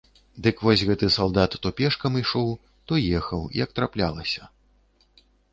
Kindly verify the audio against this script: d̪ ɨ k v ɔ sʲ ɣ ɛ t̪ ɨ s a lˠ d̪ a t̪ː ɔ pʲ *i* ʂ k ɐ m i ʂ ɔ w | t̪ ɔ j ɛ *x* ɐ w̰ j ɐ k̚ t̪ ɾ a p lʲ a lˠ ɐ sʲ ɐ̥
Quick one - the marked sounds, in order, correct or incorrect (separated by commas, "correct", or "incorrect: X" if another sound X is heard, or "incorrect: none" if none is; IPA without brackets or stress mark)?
incorrect: ɛ, correct